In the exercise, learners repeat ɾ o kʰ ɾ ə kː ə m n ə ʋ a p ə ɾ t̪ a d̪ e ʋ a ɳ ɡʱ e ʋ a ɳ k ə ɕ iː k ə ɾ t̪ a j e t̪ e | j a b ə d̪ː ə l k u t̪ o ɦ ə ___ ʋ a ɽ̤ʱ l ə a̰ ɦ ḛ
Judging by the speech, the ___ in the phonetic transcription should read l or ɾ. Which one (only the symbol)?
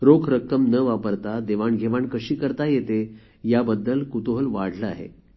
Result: l